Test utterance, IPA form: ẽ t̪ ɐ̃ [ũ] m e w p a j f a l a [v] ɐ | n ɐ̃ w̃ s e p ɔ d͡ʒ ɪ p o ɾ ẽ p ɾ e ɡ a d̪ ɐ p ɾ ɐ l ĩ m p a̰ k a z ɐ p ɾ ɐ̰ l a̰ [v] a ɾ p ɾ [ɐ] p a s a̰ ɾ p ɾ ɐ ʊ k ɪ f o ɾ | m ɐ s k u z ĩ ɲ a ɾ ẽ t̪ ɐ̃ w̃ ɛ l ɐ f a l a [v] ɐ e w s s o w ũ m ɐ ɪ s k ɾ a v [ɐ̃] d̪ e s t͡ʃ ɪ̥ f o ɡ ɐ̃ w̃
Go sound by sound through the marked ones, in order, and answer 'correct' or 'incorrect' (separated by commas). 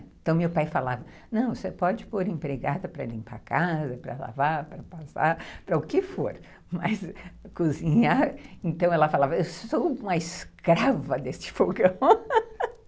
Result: incorrect, correct, correct, correct, correct, incorrect